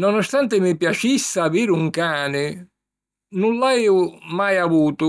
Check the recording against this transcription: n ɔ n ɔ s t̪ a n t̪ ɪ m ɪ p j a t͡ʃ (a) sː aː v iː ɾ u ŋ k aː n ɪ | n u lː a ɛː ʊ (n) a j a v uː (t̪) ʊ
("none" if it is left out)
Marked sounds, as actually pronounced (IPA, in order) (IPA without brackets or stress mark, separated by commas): i, m, t̪